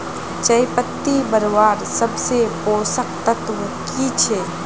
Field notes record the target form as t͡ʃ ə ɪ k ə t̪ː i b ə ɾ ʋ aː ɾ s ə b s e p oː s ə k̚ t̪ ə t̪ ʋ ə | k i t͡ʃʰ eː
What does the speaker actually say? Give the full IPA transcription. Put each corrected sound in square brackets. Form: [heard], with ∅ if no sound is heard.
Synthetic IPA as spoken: t͡ʃ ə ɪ [p] ə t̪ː i b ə ɾ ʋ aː ɾ s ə b s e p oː s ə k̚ t̪ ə t̪ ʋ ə | k i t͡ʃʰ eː

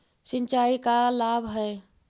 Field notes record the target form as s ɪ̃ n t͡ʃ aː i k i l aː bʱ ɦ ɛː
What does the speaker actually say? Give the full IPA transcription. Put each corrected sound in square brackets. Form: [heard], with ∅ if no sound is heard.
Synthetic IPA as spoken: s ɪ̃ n t͡ʃ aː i k [a] l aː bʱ ɦ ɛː

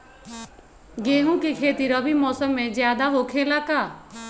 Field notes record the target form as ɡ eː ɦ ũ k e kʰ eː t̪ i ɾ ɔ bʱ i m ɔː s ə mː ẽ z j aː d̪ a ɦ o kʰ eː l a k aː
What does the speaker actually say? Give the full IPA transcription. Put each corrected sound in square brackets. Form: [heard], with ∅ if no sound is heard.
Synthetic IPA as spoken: ɡ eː ɦ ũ k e kʰ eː t̪ i ɾ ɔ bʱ i m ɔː s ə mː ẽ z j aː d̪ a ɦ o kʰ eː l a k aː

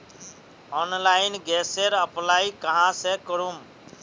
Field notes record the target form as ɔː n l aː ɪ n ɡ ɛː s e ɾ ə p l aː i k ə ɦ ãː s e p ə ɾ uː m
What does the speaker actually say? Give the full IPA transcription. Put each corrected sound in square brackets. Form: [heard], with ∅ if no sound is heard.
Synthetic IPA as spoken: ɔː n l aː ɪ n ɡ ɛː s e ɾ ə p l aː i k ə ɦ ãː s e [k] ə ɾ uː m

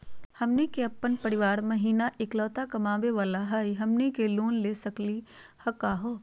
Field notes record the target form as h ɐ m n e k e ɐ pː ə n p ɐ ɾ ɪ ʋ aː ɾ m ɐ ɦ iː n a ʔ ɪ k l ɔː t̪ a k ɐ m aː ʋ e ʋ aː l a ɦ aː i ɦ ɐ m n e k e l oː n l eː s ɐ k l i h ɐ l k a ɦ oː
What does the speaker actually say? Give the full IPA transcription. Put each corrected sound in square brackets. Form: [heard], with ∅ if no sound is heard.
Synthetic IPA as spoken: h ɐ m n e k e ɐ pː ə n p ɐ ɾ ɪ ʋ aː ɾ m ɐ ɦ iː n a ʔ ɪ k l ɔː t̪ a k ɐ m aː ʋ e ʋ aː l a ɦ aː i ɦ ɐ m n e k e l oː n l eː s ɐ k l i h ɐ [∅] k a ɦ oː

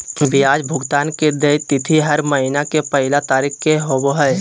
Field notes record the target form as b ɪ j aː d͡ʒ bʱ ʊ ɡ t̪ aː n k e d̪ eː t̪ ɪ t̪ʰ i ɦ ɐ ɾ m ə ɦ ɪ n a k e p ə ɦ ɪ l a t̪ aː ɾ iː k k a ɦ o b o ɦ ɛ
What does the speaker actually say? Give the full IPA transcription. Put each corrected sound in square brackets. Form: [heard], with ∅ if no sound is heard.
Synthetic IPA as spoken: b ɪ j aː d͡ʒ bʱ ʊ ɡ t̪ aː n k e d̪ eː t̪ ɪ t̪ʰ i ɦ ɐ ɾ m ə ɦ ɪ n a k e p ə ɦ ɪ l a t̪ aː ɾ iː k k [e] ɦ o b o ɦ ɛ

